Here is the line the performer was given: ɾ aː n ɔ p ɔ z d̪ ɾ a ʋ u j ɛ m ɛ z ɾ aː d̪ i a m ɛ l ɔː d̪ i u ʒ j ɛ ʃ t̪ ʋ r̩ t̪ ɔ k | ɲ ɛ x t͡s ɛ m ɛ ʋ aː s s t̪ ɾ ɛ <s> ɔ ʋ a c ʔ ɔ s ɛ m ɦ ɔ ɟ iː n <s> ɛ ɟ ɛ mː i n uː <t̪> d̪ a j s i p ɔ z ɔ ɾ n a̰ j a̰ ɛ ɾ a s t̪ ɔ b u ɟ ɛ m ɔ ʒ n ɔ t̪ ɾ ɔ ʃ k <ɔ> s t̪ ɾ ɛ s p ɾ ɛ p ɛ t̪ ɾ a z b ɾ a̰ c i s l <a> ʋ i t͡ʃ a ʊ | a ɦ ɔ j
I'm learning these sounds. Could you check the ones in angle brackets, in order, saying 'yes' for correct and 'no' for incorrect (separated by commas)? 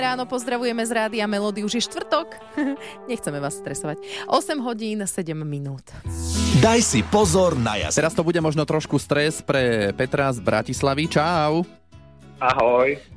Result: yes, yes, yes, no, yes